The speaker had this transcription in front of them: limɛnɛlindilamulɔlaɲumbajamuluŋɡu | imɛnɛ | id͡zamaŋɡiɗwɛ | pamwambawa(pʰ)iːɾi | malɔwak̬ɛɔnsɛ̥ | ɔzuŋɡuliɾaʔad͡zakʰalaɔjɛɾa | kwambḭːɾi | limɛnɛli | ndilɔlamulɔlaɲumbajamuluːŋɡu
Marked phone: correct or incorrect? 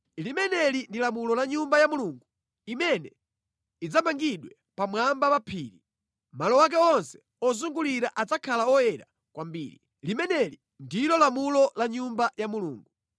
correct